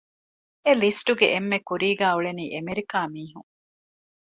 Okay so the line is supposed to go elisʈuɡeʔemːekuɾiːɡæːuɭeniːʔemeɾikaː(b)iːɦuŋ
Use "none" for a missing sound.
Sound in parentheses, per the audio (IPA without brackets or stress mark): m